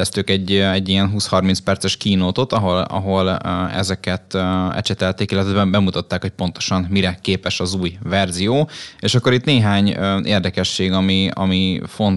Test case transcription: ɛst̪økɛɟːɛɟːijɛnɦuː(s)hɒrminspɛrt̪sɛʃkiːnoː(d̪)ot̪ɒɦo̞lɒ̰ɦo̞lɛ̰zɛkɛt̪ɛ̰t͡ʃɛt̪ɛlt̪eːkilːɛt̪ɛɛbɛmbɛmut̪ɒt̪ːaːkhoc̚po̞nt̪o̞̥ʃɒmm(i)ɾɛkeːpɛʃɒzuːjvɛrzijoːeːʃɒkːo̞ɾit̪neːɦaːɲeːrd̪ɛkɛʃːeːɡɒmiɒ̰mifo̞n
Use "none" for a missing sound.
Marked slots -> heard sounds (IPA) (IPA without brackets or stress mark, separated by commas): s, t̪, i